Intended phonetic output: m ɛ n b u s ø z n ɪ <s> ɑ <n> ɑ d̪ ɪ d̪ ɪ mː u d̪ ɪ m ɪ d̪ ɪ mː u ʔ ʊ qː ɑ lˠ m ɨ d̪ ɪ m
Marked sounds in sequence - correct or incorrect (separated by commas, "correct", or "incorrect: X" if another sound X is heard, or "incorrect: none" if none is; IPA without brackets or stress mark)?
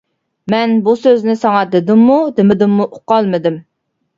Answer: correct, incorrect: ŋ